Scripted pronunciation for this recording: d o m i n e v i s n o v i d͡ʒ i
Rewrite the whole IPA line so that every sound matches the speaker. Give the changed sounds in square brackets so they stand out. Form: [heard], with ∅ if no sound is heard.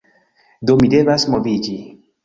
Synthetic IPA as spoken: d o m i [d] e v [a] s [m] o v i d͡ʒ i